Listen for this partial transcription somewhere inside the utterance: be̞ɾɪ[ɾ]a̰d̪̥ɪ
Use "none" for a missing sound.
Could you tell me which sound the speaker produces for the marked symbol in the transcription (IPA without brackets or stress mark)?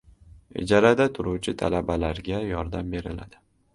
l